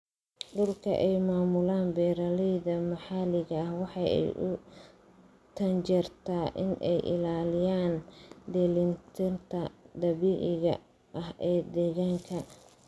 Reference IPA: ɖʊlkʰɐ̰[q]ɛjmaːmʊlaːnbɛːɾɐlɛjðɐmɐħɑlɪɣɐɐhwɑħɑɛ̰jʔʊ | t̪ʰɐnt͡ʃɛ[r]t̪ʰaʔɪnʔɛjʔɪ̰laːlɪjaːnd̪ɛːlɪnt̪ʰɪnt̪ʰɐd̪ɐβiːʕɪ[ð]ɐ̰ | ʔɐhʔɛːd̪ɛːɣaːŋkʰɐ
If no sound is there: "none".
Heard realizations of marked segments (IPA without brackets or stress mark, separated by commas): ʔ, r, ɣ